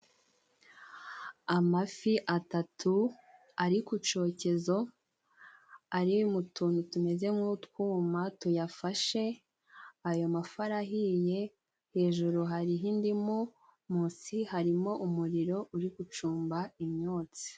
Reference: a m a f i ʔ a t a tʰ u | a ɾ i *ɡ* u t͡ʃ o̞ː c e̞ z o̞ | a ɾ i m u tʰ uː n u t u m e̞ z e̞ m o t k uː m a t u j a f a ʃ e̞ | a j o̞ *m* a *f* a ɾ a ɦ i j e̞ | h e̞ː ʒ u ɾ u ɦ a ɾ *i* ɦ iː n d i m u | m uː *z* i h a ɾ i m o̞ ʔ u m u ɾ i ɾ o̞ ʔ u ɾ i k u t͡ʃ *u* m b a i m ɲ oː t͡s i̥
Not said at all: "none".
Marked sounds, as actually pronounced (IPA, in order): k, m, f, i, s, uː

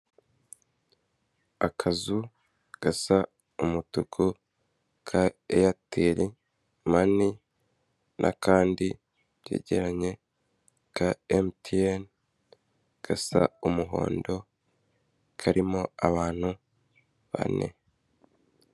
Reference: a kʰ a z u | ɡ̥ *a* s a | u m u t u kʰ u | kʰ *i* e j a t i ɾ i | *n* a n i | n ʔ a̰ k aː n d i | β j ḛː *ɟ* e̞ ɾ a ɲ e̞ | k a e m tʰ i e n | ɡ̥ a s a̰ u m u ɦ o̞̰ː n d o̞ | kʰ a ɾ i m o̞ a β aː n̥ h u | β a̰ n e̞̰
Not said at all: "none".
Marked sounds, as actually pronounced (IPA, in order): a, a, m, ɟ

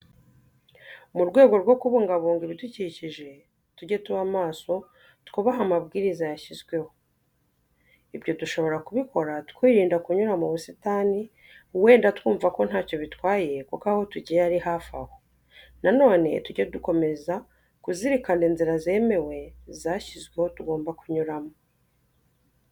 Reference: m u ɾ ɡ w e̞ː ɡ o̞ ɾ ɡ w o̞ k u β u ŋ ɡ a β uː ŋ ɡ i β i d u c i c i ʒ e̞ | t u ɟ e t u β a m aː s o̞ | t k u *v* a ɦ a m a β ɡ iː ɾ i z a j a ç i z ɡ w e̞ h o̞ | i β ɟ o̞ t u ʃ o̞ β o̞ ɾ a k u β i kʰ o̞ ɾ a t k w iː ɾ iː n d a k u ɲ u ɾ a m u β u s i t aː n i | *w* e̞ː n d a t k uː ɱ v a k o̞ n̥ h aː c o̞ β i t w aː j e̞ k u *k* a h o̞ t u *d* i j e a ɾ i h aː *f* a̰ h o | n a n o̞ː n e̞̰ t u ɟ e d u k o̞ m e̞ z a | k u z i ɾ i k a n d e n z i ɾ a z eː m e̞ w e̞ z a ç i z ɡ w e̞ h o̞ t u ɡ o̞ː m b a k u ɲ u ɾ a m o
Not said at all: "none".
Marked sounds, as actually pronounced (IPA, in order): β, w, k, ɟ, f

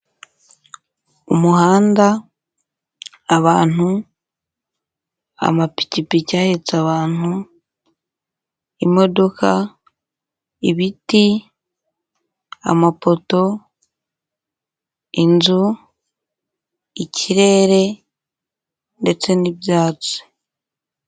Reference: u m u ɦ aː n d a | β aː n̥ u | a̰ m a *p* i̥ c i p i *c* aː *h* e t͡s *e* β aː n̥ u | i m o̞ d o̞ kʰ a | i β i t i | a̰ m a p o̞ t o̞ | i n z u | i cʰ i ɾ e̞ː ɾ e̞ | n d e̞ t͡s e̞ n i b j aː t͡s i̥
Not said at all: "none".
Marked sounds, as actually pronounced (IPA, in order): p, c, h, a

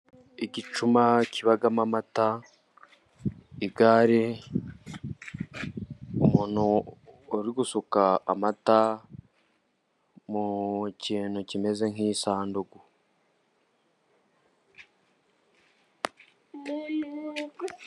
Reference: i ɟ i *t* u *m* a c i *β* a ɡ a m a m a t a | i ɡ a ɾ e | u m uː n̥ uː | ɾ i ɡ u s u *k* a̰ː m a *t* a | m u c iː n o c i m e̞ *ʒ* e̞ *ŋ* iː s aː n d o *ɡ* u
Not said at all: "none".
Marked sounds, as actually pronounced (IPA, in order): t͡ʃ, m, β, k, t, z, ŋ, ɡ

